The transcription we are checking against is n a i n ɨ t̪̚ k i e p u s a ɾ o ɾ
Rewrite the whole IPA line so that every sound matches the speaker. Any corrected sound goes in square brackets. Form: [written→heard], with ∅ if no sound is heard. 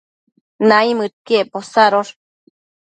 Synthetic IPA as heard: n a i [n→m] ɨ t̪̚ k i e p [u→o] s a ɾ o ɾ